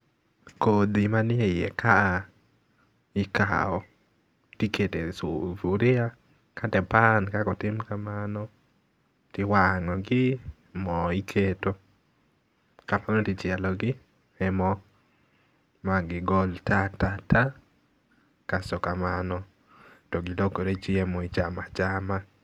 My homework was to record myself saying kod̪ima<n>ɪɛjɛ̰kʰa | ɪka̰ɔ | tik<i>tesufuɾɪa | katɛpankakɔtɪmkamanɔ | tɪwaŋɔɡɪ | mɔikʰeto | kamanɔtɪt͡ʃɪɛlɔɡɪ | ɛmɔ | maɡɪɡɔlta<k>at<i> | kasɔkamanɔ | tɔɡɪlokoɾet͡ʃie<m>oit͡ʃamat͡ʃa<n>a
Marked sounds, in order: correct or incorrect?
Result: correct, incorrect: e, incorrect: t, incorrect: a, correct, incorrect: m

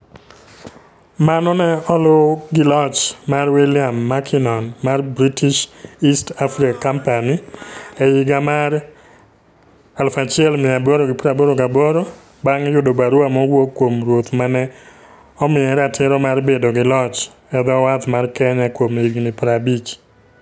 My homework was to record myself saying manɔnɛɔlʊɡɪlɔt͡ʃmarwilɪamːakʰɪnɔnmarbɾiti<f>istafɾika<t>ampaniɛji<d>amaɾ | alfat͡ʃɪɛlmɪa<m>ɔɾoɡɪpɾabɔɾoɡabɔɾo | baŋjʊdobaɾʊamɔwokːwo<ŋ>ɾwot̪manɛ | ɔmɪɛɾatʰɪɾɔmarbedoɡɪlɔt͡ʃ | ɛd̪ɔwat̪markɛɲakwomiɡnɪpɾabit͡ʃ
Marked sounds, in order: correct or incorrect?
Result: incorrect: ʃ, incorrect: k, incorrect: ɡ, incorrect: b, incorrect: m

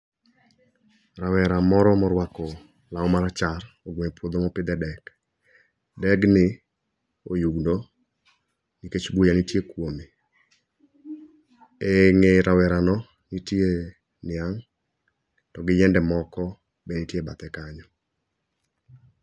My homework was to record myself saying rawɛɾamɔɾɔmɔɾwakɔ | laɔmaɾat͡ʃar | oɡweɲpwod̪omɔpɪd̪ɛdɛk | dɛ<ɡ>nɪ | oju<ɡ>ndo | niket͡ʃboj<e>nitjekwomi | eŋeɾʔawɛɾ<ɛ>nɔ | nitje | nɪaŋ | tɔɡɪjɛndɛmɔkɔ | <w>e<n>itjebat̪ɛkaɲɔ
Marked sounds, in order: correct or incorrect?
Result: correct, correct, incorrect: a, incorrect: a, incorrect: b, correct

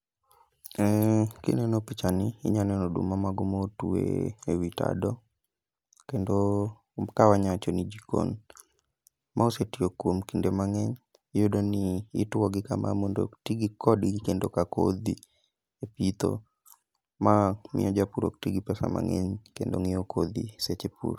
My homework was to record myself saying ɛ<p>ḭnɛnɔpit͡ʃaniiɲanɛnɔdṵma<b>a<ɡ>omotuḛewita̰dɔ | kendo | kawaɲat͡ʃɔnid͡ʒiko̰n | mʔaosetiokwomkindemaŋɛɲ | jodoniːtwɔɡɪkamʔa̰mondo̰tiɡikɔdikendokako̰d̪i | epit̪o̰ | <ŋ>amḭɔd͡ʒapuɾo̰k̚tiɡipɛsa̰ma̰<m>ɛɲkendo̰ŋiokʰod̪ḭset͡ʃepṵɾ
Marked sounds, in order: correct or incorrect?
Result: incorrect: k, incorrect: m, correct, incorrect: m, incorrect: ŋ

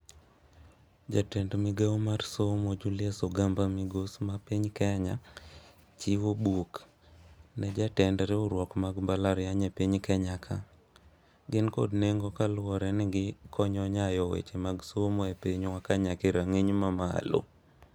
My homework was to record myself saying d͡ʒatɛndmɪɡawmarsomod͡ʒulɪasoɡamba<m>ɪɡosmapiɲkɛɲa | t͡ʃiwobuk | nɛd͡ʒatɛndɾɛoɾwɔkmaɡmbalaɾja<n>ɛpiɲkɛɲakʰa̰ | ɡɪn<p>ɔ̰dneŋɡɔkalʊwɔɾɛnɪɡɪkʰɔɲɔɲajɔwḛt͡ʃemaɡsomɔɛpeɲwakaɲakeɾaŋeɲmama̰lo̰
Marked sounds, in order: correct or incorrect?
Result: correct, incorrect: ɲ, incorrect: k

